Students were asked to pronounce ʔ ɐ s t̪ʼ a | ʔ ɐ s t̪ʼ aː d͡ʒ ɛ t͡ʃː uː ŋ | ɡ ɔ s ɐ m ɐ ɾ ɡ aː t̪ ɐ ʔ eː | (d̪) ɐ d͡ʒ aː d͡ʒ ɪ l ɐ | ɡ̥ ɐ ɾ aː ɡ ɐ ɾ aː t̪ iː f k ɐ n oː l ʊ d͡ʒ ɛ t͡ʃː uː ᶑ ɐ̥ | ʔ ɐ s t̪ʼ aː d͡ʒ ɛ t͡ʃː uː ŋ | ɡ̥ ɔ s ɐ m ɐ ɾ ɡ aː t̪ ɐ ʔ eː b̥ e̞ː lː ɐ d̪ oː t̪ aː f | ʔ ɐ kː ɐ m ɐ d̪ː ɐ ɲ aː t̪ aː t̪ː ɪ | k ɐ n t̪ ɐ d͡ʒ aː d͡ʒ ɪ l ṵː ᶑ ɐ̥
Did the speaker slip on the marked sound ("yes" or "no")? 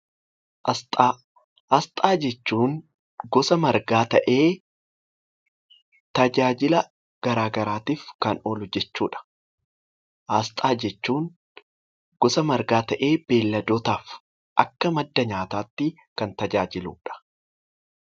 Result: yes